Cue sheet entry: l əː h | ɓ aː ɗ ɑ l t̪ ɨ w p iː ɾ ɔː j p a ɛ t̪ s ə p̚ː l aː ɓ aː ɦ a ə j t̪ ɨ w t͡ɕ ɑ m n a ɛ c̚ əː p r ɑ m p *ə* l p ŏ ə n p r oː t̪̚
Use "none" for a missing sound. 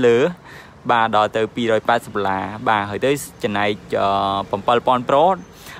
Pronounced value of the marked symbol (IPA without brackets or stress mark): ə